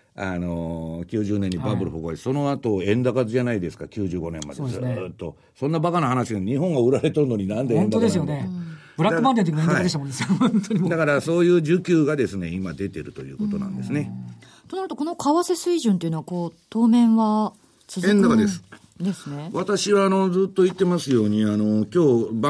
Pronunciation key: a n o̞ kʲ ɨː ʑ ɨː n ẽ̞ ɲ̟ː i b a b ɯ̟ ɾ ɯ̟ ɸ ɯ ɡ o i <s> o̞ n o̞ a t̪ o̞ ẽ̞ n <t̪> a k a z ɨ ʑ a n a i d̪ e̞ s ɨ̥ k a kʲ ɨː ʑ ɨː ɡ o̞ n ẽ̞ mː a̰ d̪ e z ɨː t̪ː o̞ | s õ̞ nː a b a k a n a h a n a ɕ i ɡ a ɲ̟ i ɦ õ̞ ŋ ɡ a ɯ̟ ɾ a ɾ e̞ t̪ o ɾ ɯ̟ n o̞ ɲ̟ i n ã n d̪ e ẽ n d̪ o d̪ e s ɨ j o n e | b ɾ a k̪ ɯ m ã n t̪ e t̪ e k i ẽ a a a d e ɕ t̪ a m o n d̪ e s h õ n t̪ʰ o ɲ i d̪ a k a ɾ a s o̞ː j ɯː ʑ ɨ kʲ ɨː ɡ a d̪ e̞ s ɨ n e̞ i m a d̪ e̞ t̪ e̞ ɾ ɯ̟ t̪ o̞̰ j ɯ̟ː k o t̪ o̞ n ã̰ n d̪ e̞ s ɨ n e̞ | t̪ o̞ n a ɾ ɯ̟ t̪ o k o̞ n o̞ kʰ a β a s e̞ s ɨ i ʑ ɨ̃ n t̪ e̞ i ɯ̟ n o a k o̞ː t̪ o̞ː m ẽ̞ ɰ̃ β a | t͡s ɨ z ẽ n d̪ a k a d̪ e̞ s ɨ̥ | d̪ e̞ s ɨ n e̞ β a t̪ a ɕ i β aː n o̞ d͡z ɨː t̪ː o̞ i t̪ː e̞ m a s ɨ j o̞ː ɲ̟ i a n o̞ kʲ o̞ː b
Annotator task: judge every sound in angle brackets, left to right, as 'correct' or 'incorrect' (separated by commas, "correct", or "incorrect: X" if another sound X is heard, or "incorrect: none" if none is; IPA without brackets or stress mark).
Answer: correct, incorrect: d̪